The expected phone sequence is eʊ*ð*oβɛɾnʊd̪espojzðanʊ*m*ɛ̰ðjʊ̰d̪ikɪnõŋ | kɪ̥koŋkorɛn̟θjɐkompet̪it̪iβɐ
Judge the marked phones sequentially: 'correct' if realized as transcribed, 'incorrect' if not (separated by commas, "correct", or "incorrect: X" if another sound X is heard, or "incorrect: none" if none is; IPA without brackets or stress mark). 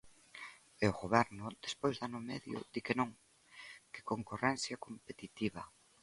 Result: incorrect: ɣ, correct